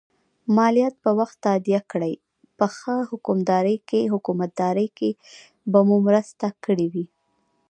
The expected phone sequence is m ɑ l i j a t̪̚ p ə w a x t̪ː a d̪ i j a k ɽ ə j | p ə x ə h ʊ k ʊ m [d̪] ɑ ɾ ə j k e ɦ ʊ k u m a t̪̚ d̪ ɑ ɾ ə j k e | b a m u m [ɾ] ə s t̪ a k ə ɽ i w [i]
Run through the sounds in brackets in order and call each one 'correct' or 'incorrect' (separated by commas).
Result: correct, correct, correct